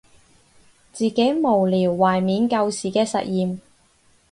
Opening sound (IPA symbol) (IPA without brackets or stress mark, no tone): t͡s